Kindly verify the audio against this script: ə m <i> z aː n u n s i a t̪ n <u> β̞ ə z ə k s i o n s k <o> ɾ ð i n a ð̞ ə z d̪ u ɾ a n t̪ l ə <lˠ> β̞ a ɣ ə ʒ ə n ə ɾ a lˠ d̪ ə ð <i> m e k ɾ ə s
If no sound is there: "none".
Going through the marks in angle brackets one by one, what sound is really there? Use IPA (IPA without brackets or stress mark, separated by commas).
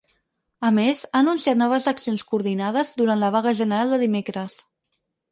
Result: e, ɔ, u, none, i